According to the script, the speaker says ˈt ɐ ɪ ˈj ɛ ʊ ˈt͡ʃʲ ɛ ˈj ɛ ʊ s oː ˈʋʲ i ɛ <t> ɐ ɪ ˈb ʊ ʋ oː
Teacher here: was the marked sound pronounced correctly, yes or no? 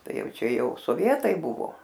yes